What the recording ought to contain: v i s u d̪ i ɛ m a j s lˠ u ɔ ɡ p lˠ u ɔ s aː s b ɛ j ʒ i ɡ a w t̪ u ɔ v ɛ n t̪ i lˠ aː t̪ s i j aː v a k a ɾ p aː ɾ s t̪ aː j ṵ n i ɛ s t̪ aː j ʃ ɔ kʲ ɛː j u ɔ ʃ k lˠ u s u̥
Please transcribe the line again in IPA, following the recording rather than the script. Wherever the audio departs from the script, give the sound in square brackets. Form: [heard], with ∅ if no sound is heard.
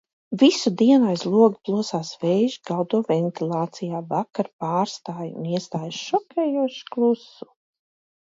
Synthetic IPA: v i s u d̪ i ɛ [n] a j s lˠ u ɔ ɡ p lˠ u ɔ s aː s [v] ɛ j ʒ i ɡ a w [d̪] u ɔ v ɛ n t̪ i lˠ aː t̪ s i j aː v a k a ɾ p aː ɾ s t̪ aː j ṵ n i ɛ s t̪ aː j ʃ ɔ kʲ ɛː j u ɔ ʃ k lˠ u s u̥